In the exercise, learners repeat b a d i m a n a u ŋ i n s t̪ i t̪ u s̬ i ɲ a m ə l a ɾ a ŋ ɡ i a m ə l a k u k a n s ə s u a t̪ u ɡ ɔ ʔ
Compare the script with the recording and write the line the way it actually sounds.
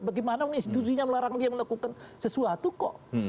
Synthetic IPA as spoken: b a ɡ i m a n a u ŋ i n s t̪ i t̪ u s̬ i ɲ a m ə l a ɾ a ŋ d i a m ə l a k u k a n s ə s u a t̪ u k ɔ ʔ